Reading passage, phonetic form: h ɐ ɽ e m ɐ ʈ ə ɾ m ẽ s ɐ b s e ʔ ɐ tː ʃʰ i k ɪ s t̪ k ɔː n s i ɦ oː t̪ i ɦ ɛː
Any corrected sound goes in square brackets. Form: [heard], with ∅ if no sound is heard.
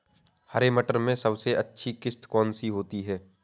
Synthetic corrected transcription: h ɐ [ɾ] e m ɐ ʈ ə ɾ m ẽ s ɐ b s e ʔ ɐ tː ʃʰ i k ɪ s t̪ k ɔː n s i ɦ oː t̪ i ɦ ɛː